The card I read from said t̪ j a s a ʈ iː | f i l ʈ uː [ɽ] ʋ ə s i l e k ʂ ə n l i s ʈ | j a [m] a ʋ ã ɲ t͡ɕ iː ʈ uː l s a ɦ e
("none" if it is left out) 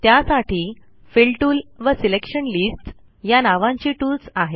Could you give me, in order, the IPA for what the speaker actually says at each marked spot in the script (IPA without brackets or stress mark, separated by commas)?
l, n